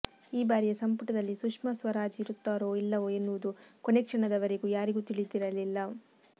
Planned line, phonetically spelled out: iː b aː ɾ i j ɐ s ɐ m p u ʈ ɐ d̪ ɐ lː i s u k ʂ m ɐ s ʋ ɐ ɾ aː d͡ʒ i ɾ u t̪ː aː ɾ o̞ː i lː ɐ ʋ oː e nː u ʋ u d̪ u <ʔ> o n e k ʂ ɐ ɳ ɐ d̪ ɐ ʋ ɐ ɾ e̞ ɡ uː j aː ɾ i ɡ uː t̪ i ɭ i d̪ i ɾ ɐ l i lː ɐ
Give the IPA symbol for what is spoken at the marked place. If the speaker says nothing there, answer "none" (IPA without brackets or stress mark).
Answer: k